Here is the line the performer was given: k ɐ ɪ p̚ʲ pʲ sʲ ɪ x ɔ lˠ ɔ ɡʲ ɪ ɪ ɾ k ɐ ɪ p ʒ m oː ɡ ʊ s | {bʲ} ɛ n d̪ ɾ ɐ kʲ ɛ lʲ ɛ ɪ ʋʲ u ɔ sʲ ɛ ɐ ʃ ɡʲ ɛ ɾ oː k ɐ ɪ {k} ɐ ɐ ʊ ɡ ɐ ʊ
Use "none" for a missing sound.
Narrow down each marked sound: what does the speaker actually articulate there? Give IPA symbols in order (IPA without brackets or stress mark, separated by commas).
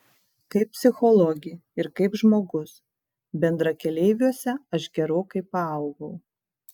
bʲ, p